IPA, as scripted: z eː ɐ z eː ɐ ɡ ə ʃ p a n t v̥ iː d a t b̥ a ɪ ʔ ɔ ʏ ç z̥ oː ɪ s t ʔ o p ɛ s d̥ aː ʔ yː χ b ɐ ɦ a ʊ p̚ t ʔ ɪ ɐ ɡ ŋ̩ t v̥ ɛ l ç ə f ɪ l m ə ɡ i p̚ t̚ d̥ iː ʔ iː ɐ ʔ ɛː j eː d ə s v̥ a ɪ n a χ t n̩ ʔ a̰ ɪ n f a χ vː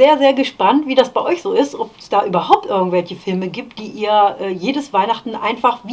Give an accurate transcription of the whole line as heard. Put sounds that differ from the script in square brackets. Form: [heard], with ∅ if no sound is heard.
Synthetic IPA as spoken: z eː ɐ z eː ɐ ɡ ə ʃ p a n t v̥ iː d a [s] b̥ a ɪ ʔ ɔ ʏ ç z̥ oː ɪ s t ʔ [ɔ] p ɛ s d̥ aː ʔ yː [∅] b ɐ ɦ a ʊ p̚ t ʔ ɪ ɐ ɡ ŋ̩ t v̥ ɛ l ç ə f ɪ l m ə ɡ [iː] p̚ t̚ d̥ iː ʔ iː ɐ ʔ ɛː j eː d ə s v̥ a ɪ n a χ t n̩ ʔ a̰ ɪ n f a χ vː